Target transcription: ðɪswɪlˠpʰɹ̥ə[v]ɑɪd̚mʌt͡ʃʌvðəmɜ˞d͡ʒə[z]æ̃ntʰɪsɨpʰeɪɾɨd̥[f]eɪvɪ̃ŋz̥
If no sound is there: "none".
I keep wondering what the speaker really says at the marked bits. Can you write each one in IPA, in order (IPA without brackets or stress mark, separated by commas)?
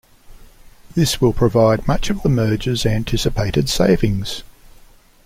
v, z, s